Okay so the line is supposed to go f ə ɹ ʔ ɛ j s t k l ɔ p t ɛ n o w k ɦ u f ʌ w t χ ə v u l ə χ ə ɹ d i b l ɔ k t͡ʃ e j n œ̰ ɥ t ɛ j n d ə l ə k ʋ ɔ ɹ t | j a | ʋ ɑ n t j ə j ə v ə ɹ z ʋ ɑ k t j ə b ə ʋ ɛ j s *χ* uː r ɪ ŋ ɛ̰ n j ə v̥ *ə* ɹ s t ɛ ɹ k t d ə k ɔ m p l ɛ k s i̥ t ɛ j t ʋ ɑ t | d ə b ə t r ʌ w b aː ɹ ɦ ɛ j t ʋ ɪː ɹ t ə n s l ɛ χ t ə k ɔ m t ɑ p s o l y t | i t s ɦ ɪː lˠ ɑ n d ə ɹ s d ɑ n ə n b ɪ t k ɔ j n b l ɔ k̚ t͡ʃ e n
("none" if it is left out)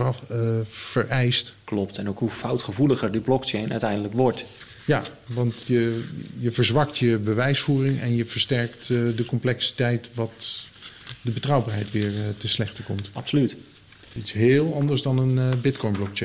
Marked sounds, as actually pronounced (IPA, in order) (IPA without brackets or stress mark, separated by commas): f, ə